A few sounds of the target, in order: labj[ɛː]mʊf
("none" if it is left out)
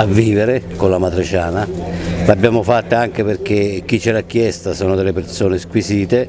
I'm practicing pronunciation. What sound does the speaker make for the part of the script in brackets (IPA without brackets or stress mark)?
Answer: aː